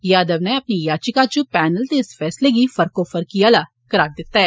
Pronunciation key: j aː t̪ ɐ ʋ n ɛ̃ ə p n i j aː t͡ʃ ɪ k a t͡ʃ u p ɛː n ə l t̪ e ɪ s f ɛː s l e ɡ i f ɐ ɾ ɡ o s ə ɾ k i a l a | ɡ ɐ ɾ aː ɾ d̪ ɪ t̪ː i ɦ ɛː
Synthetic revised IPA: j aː d̪ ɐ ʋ n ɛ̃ ɐ p n i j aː t͡ʃ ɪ k a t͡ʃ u p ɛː n ə l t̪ e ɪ s f ɛː s l e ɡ i f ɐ ɾ k o f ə ɾ k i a l a | k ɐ ɾ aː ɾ d̪ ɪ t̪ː a ɦ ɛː